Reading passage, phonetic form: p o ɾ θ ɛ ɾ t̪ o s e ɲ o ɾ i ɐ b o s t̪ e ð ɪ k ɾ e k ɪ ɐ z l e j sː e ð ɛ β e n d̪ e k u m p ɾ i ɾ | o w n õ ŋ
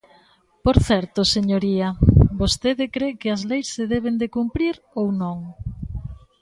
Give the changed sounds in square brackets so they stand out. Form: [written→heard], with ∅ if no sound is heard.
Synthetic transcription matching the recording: p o ɾ θ ɛ ɾ t̪ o s e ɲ o ɾ i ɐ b o s t̪ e ð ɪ k ɾ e k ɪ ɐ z l e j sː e ð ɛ β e n d̪ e k u m p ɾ i ɾ | o w n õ ŋ